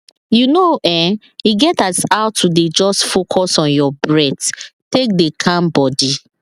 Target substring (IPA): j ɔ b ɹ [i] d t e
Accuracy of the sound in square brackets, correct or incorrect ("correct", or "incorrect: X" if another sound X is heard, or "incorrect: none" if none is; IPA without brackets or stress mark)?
incorrect: ɛ